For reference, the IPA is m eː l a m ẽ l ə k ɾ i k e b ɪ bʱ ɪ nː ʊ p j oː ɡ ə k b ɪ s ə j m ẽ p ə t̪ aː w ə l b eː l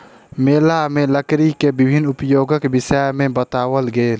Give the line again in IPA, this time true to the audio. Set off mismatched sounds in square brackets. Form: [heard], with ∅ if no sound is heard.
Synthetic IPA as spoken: m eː l a m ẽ l ə k ɾ i k e b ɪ bʱ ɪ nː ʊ p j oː ɡ ə k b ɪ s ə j m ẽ [b] ə t̪ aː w ə l [ɡ] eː l